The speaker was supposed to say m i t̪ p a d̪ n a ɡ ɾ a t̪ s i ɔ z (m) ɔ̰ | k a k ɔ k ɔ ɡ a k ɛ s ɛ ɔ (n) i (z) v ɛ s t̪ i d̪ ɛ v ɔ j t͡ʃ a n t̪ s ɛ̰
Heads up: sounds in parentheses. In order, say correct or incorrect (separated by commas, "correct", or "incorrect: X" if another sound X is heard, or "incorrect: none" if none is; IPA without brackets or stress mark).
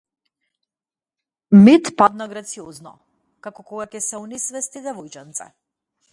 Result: incorrect: n, correct, incorrect: s